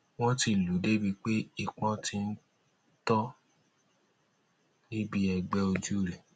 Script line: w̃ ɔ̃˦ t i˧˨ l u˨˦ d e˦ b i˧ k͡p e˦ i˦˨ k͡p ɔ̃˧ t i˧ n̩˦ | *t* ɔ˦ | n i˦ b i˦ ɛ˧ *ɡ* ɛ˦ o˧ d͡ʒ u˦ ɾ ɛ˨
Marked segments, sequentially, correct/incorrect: correct, incorrect

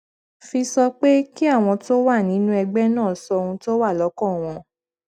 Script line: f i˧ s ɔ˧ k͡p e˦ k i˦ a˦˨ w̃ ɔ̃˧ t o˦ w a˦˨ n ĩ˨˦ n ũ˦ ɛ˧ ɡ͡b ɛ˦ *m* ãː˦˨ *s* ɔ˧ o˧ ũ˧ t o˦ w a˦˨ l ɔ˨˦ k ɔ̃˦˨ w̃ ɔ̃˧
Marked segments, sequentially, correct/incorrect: incorrect, correct

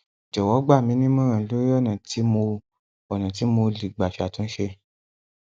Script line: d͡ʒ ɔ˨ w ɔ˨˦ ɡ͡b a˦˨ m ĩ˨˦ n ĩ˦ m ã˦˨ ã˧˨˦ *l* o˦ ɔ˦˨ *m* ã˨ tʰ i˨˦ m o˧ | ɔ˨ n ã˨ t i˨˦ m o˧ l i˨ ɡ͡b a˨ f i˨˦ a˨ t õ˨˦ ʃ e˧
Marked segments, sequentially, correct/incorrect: correct, incorrect

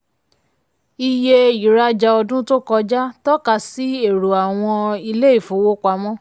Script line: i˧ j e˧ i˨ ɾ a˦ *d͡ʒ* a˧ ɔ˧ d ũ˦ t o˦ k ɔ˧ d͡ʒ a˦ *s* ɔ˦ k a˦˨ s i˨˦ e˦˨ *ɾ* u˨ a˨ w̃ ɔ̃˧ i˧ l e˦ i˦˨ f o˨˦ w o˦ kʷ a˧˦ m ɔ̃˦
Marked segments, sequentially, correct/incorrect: correct, incorrect, correct

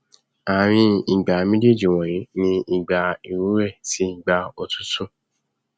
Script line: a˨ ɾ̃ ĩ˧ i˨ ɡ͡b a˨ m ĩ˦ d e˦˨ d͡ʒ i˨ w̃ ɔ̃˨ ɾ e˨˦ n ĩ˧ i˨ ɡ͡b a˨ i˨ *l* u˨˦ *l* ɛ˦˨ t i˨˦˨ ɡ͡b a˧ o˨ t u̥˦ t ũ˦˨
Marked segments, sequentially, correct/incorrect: incorrect, incorrect

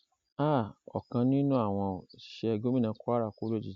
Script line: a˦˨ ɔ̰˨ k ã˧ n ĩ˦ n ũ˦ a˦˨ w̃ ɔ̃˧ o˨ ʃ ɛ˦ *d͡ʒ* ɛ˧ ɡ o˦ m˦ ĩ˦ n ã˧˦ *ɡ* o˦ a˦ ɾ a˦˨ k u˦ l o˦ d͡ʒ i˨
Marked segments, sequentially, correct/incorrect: incorrect, incorrect

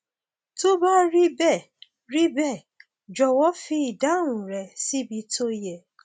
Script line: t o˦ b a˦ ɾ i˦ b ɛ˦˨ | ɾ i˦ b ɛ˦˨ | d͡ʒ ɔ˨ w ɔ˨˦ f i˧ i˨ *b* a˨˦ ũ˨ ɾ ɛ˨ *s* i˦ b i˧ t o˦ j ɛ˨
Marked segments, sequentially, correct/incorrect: incorrect, correct

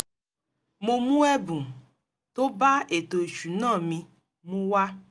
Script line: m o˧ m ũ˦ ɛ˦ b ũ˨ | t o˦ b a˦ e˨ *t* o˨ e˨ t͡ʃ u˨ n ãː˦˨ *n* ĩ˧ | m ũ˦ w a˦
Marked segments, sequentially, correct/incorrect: correct, incorrect

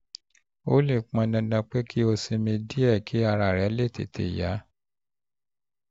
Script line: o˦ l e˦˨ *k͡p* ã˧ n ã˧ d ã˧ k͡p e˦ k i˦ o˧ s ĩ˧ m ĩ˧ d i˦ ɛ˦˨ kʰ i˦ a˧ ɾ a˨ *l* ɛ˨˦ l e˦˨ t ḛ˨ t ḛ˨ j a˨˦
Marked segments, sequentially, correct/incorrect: correct, incorrect

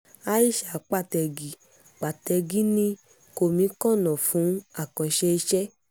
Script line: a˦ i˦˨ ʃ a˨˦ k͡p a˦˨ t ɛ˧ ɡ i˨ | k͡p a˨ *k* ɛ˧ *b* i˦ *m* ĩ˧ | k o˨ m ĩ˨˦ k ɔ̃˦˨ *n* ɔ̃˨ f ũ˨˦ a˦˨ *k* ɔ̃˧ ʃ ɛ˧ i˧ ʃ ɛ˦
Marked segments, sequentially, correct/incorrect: incorrect, incorrect, incorrect, correct, correct

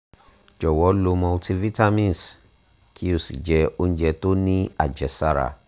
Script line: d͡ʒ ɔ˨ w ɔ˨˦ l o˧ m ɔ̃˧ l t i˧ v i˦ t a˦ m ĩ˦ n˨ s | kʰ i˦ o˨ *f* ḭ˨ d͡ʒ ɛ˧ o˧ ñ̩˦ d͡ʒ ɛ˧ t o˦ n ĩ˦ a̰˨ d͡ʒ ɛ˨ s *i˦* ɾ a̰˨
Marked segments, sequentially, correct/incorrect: incorrect, incorrect

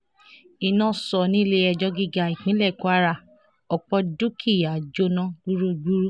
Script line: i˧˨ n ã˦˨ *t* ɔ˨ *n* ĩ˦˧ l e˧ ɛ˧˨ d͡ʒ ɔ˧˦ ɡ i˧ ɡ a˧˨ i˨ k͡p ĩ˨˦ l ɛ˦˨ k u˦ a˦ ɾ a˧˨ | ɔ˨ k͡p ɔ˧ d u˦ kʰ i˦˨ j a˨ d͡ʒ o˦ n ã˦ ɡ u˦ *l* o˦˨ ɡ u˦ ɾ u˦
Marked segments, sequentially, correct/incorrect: incorrect, correct, incorrect

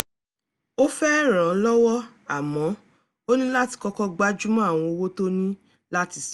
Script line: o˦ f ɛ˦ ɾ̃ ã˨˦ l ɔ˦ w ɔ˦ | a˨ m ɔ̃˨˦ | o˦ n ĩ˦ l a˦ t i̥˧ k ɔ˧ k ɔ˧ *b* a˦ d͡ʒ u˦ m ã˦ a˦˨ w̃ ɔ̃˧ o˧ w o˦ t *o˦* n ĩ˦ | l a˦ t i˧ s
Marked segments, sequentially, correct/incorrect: incorrect, correct

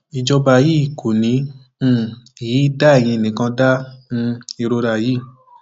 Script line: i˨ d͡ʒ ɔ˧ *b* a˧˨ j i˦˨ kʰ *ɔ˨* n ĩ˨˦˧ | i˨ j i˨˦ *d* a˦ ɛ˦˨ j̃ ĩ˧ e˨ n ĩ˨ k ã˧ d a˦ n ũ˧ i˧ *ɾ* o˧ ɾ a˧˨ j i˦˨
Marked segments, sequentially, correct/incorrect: correct, incorrect, correct, correct

